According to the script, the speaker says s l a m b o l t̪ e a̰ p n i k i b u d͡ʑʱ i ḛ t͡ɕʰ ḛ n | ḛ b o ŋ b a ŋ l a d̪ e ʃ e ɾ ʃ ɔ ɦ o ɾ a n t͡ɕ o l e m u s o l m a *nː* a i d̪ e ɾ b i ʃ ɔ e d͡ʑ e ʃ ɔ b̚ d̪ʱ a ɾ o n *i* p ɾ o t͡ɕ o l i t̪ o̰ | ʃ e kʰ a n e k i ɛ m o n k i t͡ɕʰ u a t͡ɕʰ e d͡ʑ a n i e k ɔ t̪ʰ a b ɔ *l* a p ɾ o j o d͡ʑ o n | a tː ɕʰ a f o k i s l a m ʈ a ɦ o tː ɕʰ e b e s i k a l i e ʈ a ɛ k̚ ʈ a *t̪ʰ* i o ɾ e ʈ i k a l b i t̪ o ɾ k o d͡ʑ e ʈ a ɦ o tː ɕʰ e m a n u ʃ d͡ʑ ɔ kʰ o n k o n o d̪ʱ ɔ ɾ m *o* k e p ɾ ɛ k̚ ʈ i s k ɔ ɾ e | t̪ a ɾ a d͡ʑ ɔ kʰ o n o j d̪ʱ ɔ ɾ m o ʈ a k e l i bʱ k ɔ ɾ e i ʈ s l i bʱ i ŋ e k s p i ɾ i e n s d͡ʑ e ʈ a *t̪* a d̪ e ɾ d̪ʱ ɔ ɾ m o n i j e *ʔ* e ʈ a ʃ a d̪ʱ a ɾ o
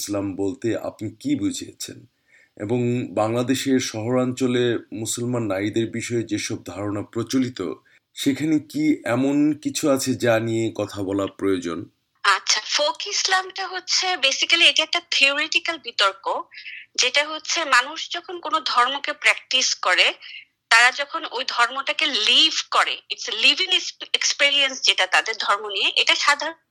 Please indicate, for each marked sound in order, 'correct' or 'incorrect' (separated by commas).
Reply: correct, incorrect, correct, correct, correct, correct, correct